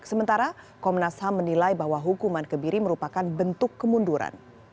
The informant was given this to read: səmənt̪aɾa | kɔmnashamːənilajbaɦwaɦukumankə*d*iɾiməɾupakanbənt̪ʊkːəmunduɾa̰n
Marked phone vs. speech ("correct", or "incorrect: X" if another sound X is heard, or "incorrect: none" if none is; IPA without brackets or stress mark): incorrect: b